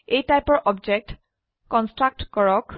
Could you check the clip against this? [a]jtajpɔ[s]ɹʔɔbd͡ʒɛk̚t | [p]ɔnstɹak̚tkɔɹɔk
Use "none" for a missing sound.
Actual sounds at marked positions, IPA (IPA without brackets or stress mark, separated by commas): e, none, k